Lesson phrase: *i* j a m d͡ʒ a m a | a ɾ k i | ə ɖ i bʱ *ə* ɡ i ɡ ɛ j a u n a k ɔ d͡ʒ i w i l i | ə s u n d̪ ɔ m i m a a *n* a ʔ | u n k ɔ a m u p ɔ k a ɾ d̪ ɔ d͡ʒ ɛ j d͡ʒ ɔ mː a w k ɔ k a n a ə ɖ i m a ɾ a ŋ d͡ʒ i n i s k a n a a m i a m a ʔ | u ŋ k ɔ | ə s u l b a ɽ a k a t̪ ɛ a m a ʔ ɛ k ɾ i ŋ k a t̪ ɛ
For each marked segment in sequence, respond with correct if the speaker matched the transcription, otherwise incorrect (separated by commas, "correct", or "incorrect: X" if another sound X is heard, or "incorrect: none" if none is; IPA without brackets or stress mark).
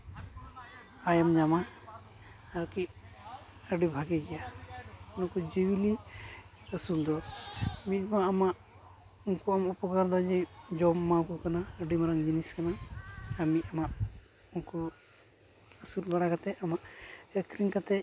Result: incorrect: a, incorrect: a, incorrect: m